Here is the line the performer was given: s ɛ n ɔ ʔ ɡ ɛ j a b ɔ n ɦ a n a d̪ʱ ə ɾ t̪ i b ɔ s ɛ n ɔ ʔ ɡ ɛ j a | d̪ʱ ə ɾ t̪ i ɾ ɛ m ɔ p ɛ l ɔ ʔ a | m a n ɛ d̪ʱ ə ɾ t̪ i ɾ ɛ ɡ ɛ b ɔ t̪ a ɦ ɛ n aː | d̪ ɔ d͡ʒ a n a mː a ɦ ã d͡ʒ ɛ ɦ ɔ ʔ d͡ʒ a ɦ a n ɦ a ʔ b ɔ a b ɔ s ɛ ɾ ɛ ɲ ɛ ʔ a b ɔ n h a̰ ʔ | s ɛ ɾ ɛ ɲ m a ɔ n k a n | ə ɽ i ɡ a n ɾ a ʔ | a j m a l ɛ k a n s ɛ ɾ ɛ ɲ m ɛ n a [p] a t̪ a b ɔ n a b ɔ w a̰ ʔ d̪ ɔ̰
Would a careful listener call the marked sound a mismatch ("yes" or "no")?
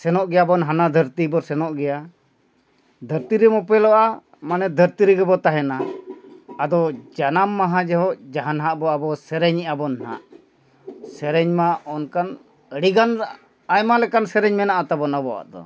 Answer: yes